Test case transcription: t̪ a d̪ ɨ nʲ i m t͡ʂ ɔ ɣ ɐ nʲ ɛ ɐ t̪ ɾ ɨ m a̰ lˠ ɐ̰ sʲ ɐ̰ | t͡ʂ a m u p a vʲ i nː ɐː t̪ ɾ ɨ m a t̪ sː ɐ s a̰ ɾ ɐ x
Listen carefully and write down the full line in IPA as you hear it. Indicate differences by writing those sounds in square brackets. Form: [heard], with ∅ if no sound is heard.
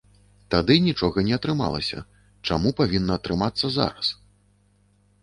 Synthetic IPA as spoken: t̪ a d̪ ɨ nʲ i [∅] t͡ʂ ɔ ɣ ɐ nʲ ɛ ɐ t̪ ɾ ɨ m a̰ lˠ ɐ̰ sʲ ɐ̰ | t͡ʂ a m u p a vʲ i nː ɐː t̪ ɾ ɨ m a t̪ sː ɐ [z] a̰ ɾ ɐ [s]